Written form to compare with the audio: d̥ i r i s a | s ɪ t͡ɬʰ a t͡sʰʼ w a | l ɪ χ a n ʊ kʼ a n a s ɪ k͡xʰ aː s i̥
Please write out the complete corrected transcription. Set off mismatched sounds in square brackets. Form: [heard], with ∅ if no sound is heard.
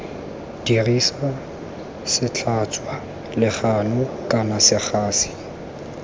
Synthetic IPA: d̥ i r i s a | s ɪ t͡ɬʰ a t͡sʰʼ w a | l ɪ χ a n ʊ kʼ a n a s ɪ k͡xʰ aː s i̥